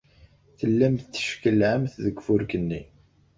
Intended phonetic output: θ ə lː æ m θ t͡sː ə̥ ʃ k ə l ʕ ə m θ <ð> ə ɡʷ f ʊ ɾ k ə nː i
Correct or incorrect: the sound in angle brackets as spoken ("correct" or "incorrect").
correct